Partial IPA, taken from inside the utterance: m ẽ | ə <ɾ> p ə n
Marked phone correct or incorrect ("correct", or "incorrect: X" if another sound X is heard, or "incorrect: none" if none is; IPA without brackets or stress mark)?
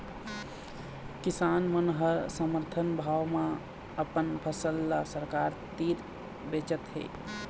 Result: incorrect: none